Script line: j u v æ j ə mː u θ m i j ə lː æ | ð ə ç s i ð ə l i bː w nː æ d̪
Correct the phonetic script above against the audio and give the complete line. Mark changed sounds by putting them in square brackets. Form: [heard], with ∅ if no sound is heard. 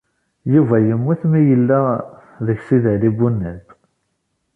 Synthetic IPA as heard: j u v æ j ə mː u θ m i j ə lː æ | ð ə ç s i ð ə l i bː [u] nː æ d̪